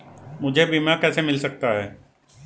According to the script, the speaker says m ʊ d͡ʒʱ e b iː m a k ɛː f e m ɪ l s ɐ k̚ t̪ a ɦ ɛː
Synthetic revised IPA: m ʊ d͡ʒʱ e b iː m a k ɛː s e m ɪ l s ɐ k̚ t̪ a ɦ ɛː